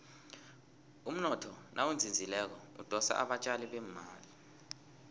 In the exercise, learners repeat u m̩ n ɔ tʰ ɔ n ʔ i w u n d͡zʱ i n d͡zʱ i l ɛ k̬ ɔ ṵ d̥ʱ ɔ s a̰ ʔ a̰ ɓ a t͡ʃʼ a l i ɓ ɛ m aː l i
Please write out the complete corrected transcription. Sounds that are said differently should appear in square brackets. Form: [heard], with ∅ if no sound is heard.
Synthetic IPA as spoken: u m̩ n ɔ tʰ ɔ n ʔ [a] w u n d͡zʱ i n d͡zʱ i l ɛ k̬ ɔ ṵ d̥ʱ ɔ s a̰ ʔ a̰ ɓ a t͡ʃʼ a l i ɓ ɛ m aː l i

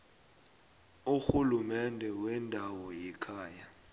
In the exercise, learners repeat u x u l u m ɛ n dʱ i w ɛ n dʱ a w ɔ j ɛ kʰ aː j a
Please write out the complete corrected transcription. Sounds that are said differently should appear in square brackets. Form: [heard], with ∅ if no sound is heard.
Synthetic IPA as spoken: u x u l u m ɛ n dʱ [ɛ] w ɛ n dʱ a w ɔ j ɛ kʰ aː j a

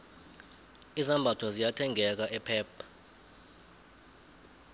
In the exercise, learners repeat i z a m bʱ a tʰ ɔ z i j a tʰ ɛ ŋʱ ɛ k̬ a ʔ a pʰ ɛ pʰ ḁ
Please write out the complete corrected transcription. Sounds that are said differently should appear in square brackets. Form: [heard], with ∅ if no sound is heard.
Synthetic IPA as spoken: i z a m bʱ a tʰ ɔ z i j a tʰ ɛ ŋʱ ɛ k̬ a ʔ [ɛ] pʰ [ɛː] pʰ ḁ

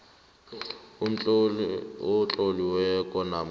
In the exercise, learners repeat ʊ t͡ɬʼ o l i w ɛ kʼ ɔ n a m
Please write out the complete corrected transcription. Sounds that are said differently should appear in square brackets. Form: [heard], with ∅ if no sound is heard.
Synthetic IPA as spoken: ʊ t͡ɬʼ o l i w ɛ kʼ ɔ n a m

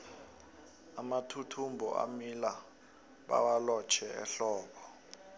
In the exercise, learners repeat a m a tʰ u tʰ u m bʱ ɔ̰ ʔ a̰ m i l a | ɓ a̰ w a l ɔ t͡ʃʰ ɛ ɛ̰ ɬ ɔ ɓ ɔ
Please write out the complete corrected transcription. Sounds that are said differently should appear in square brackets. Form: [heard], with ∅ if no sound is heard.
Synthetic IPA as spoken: a m a tʰ u tʰ u m bʱ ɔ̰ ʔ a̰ m i l a | ɓ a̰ w a l ɔ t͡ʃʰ ɛ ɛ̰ ɬ [ɔː] ɓ ɔ

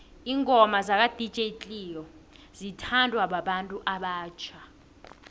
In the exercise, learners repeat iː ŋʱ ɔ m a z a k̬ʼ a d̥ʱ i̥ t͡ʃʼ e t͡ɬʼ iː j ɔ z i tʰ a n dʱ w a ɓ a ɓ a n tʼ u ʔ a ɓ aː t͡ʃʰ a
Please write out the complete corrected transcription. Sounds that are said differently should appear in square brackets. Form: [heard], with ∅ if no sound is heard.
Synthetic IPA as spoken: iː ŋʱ ɔ m a z a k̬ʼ a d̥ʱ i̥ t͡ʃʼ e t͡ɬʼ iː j ɔ z i tʰ a n dʱ w a ɓ a ɓ a n tʼ u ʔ a ɓ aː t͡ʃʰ a

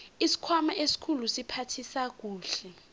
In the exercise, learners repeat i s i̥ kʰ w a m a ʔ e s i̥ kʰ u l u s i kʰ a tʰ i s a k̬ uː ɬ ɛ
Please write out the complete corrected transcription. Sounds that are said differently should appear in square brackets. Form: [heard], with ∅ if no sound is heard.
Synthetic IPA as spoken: i s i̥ kʰ w a m a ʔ e s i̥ kʰ u l u s i [pʰ] a tʰ i s a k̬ uː ɬ ɛ

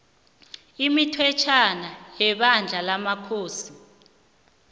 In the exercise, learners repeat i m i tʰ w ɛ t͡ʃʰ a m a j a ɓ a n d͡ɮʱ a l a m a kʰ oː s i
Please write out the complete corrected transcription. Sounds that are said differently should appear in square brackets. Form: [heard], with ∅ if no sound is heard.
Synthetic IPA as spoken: i m i tʰ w ɛ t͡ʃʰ a [n] a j [ɛ] ɓ a n d͡ɮʱ a l a m a kʰ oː s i

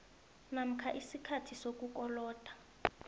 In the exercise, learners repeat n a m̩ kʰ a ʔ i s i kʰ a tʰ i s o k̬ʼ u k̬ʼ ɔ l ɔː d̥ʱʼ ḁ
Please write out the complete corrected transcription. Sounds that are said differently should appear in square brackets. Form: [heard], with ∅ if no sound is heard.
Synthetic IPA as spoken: n a m̩ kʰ a ʔ i s i kʰ a tʰ i s o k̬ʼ u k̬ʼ ɔ l ɔː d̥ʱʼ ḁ

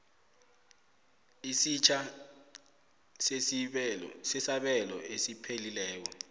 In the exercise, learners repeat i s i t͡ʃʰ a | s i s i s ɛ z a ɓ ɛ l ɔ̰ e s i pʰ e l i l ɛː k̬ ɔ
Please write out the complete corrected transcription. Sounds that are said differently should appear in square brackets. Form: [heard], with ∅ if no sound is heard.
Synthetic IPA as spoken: i s i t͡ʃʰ a | s [e] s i s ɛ [s] a ɓ ɛ l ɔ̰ e s i pʰ e l i l ɛː k̬ ɔ

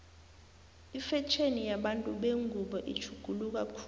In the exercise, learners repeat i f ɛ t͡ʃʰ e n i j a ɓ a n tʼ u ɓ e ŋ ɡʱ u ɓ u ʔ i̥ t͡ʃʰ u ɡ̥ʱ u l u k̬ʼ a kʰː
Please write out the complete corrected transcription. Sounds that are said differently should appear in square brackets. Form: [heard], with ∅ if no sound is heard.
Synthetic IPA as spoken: i f ɛ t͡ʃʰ e n i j a ɓ a n tʼ u ɓ e ŋ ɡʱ u ɓ [ɔ] ʔ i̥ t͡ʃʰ u ɡ̥ʱ u l u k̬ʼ a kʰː

